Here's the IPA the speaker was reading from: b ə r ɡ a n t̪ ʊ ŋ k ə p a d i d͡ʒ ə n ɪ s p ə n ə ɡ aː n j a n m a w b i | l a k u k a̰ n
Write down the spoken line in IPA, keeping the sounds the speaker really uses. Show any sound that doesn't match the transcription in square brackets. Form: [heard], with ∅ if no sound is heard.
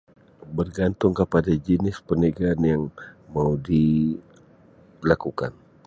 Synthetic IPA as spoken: b ə r ɡ a n t̪ ʊ ŋ k ə p a d [a] d͡ʒ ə n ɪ s p ə n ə ɡ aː n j a [ŋ] m a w [d] i | l a k u k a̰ n